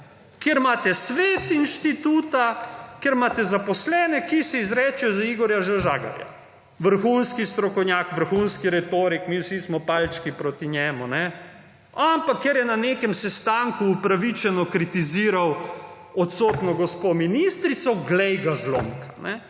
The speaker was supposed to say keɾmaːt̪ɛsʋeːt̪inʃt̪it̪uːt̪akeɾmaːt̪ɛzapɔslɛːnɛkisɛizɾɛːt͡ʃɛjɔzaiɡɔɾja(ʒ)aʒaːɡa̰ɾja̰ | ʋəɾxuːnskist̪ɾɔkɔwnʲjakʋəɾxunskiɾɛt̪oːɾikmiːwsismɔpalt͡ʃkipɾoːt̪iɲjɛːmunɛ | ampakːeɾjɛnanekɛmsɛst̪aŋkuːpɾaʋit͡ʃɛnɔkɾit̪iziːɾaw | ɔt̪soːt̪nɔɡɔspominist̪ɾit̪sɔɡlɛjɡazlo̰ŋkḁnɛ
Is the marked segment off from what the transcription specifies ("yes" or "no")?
no